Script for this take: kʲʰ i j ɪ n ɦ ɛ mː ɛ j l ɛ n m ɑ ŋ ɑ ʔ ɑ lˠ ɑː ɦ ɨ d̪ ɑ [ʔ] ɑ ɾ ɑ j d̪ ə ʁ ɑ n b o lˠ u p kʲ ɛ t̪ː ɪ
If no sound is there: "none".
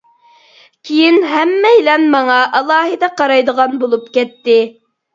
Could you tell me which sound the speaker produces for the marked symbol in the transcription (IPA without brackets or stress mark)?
q